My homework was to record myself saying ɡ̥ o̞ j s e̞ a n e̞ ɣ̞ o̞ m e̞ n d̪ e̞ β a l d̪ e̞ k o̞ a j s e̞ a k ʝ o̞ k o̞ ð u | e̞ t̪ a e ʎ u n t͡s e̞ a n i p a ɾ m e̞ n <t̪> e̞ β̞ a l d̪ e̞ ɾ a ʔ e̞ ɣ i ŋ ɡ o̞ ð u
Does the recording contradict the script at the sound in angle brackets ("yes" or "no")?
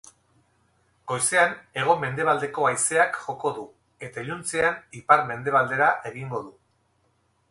yes